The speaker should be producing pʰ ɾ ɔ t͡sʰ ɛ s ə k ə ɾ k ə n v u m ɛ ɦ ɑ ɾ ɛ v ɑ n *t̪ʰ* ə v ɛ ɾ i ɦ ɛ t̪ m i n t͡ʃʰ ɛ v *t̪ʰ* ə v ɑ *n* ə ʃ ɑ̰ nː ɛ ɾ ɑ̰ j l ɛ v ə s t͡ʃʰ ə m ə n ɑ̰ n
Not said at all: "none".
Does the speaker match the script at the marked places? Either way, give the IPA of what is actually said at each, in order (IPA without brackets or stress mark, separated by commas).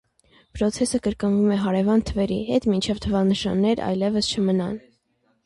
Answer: t̪ʰ, t̪ʰ, n